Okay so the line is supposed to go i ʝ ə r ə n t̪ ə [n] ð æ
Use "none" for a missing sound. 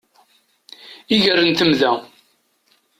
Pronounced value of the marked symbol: m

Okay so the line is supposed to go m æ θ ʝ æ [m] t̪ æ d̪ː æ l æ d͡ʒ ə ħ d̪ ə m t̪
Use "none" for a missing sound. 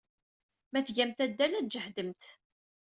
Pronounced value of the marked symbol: m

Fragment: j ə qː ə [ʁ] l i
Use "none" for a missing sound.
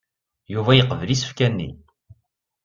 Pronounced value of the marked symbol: v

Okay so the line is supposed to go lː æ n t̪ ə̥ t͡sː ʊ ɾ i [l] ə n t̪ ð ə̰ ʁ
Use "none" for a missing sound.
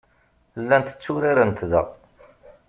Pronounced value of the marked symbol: ɾ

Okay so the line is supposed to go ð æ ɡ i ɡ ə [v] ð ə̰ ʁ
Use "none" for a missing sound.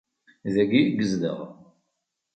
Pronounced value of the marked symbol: z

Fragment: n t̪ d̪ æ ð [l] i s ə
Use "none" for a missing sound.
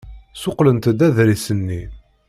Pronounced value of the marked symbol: ɾ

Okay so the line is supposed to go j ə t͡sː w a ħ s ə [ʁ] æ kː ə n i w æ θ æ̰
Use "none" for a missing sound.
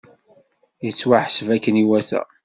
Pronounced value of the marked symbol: v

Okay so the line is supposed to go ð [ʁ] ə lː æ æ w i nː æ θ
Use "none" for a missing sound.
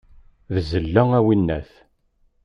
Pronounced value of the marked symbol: z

